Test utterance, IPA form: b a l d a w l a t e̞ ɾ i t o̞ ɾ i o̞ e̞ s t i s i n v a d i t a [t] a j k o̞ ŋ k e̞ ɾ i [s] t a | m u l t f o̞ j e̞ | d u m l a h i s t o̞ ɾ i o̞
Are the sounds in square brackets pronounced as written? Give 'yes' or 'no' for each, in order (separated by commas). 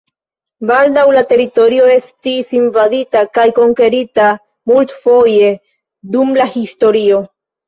no, no